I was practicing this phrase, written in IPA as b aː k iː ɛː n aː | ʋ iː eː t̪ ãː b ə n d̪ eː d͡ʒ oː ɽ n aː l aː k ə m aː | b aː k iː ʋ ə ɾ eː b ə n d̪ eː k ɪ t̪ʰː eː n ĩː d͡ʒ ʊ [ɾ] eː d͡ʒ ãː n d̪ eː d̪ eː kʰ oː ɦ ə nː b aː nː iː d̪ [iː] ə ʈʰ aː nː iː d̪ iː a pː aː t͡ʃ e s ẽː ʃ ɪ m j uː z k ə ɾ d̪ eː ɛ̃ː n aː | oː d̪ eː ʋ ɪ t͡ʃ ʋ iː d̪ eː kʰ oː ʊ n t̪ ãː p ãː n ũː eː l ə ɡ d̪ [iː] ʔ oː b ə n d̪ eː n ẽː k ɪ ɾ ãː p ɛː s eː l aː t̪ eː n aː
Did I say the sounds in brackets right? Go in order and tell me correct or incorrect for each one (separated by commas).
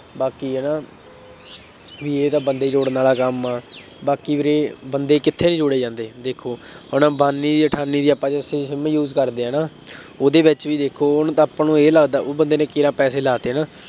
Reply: incorrect, correct, incorrect